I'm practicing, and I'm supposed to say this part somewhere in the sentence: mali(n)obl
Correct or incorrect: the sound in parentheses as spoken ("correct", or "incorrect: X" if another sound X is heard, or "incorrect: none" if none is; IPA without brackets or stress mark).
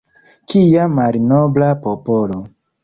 correct